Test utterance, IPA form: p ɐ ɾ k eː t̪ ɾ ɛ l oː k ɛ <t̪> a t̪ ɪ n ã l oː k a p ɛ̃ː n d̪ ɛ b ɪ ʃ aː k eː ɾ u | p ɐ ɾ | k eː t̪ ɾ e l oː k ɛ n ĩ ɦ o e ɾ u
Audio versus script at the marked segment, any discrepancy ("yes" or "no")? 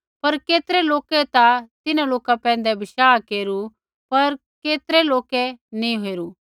no